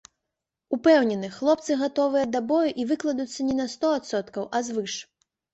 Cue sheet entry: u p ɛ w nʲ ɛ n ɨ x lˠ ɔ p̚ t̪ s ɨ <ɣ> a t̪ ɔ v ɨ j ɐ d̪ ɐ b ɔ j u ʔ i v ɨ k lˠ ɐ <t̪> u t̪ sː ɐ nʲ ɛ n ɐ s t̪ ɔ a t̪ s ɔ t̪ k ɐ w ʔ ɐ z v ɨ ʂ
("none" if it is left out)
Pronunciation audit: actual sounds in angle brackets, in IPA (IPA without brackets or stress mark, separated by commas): ɣ, d̪